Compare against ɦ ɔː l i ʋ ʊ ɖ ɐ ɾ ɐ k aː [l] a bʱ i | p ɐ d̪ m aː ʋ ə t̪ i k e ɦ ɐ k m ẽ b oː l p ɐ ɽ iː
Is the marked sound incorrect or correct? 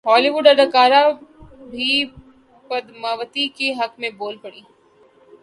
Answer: incorrect